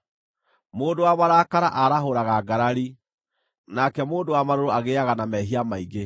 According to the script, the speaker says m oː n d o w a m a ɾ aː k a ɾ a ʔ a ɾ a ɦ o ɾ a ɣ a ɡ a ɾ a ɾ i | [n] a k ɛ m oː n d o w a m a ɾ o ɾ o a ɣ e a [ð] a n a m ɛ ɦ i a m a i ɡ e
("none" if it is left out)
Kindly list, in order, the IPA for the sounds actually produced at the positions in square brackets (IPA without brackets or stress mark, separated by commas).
n, ɣ